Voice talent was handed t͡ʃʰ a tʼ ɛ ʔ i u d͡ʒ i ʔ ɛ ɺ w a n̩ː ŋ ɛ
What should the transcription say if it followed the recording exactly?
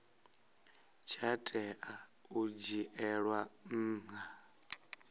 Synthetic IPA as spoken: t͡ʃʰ a tʼ ɛ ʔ a u d͡ʒ i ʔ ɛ ɺ w a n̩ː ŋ a